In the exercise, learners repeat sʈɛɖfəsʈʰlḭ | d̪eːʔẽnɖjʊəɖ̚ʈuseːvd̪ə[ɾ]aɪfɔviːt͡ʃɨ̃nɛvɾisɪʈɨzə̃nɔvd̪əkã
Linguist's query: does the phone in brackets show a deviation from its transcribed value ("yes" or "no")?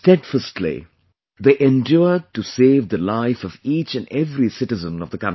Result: yes